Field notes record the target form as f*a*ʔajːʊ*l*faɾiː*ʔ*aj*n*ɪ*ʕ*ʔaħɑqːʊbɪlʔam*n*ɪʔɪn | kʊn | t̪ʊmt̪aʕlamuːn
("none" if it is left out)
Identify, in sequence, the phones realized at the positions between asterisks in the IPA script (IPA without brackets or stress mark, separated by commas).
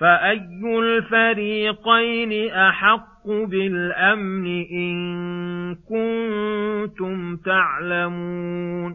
a, l, q, n, none, n